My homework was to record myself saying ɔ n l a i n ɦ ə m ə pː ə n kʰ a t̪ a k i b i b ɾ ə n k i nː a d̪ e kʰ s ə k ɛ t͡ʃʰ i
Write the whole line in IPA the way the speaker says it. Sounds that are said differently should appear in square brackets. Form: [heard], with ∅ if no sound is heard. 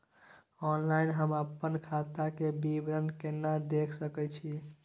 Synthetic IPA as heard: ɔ n l a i n ɦ ə m ə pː ə n kʰ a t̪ a k [e] b i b ɾ ə n k [e] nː a d̪ e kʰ s ə k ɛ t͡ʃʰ i